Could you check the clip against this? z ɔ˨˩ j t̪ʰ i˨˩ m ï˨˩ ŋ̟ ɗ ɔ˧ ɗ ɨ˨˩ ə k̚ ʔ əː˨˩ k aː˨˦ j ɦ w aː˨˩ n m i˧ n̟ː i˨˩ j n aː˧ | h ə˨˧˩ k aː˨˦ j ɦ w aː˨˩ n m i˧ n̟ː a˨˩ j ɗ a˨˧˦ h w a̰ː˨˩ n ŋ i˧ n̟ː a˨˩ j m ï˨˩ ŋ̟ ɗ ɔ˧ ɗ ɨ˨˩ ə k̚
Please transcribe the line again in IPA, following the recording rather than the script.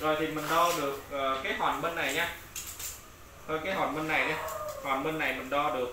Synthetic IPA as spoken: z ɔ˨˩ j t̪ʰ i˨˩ m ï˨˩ ŋ̟ ɗ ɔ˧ ɗ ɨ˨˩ ə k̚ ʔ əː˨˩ k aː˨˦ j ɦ w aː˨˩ n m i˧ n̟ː a˨˩ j ɲ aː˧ | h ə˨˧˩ k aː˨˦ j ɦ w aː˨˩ n m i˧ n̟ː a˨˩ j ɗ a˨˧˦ h w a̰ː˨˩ n m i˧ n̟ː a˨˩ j m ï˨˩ ŋ̟ ɗ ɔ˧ ɗ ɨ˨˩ ə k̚

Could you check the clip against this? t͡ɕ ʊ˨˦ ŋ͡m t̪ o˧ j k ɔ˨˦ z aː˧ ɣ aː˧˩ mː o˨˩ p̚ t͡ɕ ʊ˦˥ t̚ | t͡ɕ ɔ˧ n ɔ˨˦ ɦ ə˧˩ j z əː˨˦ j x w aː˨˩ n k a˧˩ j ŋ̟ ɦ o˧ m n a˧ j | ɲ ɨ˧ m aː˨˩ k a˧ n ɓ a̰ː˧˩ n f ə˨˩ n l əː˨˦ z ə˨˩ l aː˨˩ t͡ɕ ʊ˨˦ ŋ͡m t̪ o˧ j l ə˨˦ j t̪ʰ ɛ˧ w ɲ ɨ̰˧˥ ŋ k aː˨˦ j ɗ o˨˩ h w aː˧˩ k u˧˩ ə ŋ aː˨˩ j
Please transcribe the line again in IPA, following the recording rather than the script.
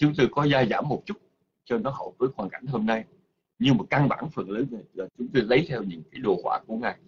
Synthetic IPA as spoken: t͡ɕ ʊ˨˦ ŋ͡m t̪ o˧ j k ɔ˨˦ z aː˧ z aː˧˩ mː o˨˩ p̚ t͡ɕ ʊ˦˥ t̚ | t͡ɕ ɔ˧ n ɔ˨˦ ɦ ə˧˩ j v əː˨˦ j x w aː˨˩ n k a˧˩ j ŋ̟ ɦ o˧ m n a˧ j | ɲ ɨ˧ m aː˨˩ k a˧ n ɓ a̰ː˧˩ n f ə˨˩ n l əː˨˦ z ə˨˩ l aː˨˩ t͡ɕ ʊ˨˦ ŋ͡m t̪ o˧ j l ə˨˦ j t̪ʰ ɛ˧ w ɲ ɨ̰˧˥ ŋ k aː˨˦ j ɗ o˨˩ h w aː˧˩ k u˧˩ ə ŋ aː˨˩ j

